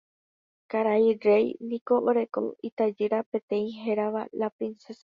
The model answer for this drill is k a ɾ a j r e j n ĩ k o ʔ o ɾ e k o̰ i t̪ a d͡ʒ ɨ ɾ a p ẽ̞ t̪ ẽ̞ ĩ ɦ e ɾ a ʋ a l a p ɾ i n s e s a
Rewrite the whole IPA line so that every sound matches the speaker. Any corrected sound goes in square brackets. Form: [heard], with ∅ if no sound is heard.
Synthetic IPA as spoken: k a ɾ a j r e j n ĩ k o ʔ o ɾ e k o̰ i t̪ a d͡ʒ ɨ ɾ a p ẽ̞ t̪ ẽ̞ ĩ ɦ e ɾ a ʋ a l a p ɾ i n s e s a